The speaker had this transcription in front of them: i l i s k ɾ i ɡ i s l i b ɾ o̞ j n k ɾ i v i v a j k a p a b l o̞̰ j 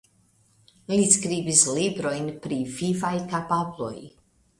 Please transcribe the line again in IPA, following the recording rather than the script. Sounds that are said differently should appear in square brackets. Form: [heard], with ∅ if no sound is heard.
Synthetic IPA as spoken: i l i s k ɾ i [b] i s l i b ɾ o̞ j n [p] ɾ i v i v a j k a p a b l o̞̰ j

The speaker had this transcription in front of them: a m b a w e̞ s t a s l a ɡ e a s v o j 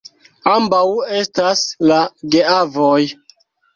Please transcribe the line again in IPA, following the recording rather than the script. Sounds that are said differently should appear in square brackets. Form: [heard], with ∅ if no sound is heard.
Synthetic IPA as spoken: a m b a w e̞ s t a s l a ɡ e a [∅] v o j

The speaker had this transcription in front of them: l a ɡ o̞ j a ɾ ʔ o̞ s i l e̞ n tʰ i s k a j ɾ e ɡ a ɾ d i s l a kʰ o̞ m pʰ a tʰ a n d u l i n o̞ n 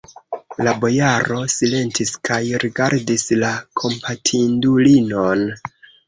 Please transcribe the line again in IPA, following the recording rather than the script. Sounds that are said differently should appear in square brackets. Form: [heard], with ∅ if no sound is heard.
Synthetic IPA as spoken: l a [b] o̞ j a ɾ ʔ o̞ s i l e̞ n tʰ i s k a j ɾ [i] ɡ a ɾ d i s l a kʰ o̞ m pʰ a tʰ [i] n d u l i n o̞ n

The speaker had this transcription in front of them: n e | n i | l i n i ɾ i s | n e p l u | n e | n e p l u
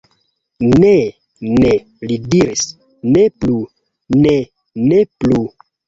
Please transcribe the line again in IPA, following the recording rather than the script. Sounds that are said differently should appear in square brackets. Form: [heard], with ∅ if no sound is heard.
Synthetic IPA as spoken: n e | n [e] | l i [d] i ɾ i s | n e p l u | n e | n e p l u

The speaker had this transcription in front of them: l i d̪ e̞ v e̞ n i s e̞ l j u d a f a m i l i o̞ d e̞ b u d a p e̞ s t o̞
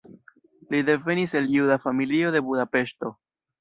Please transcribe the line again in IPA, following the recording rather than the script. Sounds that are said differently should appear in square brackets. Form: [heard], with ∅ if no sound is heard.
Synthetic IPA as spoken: l i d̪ e̞ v e̞ n i s e̞ l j u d a f a m i l i o̞ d e̞ b u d a p e̞ [ʃ] t o̞

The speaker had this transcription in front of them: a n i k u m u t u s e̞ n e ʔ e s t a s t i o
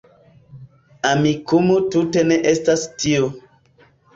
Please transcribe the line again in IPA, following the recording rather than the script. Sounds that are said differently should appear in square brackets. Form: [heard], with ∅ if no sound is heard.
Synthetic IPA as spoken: a [m] i k u m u t u [t] e̞ n e ʔ e s t a s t i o

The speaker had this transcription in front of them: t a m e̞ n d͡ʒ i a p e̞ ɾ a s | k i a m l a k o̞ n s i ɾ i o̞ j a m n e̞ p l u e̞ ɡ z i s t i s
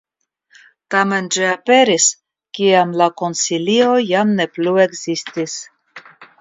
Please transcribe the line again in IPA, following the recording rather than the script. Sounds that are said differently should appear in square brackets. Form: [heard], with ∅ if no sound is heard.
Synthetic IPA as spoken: t a m e̞ n d͡ʒ i a p e̞ ɾ [i] s | k i a m l a k o̞ n s i [l] i o̞ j a m n e̞ p l u e̞ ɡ z i s t i s

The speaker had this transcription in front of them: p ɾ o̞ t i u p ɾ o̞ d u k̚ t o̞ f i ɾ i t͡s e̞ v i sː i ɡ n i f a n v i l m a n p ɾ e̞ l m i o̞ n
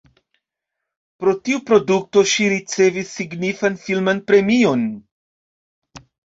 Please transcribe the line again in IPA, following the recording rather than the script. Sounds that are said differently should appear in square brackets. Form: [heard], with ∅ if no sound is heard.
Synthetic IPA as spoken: p ɾ o̞ t i u p ɾ o̞ d u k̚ t o̞ [ʃ] i ɾ i t͡s e̞ v i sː i ɡ n i f a n [f] i l m a n p ɾ e̞ [∅] m i o̞ n

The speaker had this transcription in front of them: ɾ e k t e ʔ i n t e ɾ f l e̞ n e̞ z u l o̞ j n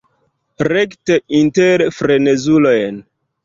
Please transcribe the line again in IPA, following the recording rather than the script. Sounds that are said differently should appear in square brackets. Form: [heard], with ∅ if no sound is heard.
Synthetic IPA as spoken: ɾ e k t e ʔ i n t e ɾ f [ɾ] e̞ n e̞ z u l o̞ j n

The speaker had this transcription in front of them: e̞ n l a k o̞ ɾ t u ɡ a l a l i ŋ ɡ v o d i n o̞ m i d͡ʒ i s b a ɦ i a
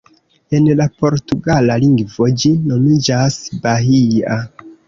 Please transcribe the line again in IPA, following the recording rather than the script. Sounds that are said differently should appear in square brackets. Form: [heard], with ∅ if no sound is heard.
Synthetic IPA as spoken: e̞ n l a [p] o̞ ɾ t u ɡ a l a l i ŋ ɡ v o [d͡ʒ] i n o̞ m i d͡ʒ [a] s b a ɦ i a

